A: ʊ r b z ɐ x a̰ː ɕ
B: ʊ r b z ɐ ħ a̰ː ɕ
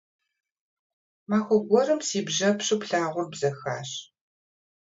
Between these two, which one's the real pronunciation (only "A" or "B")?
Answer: A